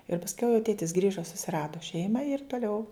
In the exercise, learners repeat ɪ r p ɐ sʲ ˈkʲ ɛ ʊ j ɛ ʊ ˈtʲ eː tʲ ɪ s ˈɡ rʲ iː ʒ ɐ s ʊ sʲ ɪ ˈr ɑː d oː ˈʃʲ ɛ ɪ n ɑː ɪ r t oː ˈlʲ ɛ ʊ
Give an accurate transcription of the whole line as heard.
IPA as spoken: ɪ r p ɐ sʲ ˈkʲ ɛ ʊ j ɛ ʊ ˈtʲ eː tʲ ɪ s ˈɡ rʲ iː ʒ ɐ s ʊ sʲ ɪ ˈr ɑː d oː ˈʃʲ ɛ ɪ m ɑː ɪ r t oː ˈlʲ ɛ ʊ